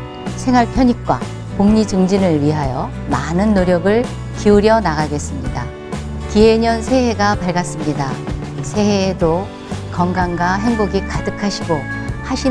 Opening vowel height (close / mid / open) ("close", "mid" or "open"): mid